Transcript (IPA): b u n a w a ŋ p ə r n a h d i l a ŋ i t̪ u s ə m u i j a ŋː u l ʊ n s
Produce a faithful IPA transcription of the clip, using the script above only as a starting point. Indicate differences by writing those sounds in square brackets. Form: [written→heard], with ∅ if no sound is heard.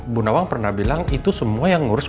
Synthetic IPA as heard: b u n a w a ŋ p ə r n a h [d→b] i l a ŋ i t̪ u s ə m u [i→a] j a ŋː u [l→ɾ] ʊ [n→∅] s